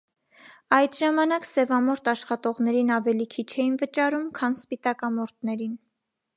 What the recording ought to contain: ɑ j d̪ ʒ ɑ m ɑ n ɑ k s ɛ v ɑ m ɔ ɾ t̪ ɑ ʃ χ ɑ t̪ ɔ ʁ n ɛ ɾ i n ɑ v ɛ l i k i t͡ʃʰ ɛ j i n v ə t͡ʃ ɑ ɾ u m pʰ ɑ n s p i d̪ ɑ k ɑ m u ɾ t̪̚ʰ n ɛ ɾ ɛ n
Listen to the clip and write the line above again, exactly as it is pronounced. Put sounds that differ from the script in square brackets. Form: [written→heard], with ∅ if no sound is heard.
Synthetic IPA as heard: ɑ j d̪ ʒ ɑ m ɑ n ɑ k s ɛ v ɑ m ɔ ɾ t̪ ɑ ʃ χ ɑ t̪ ɔ ʁ n ɛ ɾ i n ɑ v ɛ l i [k→kʰ] i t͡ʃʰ ɛ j i n v ə t͡ʃ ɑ ɾ u m [pʰ→kʰ] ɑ n s p i [d̪→t̪] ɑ k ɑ m [u→ɔ] ɾ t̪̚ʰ n ɛ ɾ [ɛ→i] n